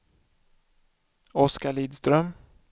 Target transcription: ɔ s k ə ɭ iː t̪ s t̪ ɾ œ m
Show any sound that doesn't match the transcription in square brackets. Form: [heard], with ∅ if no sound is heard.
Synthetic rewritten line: ɔ s k [a] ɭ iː [d̪] s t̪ ɾ œ m